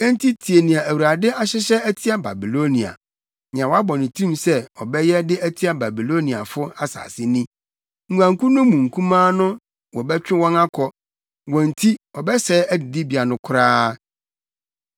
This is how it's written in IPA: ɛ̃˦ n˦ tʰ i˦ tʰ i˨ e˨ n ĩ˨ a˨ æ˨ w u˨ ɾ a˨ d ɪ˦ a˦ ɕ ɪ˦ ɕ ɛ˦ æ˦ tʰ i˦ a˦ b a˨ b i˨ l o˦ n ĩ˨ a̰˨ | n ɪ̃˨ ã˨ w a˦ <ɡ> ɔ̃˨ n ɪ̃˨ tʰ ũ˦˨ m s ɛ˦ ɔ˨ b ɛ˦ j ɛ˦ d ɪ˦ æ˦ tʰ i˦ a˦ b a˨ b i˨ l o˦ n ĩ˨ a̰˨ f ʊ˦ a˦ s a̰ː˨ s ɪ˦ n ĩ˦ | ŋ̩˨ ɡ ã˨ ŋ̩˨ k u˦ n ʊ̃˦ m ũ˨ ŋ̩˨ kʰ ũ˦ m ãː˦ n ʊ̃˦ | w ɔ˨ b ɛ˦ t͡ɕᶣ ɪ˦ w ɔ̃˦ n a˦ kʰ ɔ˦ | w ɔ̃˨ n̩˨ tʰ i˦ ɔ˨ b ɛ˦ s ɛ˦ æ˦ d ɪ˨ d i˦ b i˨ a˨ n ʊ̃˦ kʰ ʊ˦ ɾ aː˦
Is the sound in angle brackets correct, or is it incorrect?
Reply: incorrect